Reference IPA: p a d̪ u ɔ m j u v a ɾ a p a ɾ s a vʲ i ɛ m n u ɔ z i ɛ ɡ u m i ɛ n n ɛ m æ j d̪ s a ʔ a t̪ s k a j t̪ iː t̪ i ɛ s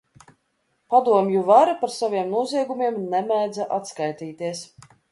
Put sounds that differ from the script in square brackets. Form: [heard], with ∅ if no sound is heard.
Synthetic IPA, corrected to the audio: p a d̪ u ɔ m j u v a ɾ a p a ɾ s a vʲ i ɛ m n u ɔ z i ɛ ɡ u m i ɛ [m] n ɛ m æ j d̪ [z] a ʔ a t̪ s k a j t̪ iː t̪ i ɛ s